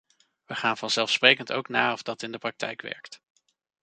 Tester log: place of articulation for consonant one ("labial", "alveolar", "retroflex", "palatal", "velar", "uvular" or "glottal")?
labial